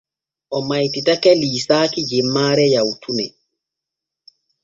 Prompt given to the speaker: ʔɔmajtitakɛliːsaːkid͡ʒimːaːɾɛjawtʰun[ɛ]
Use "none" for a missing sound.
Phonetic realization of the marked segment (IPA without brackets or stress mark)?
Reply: ɛ